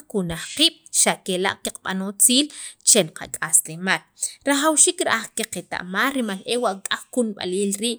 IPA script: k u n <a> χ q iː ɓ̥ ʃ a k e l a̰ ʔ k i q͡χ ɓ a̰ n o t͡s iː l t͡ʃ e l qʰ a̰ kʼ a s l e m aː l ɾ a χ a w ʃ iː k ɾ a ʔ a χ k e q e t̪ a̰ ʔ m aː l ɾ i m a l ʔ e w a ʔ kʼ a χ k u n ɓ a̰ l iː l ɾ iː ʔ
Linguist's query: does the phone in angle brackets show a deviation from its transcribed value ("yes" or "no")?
no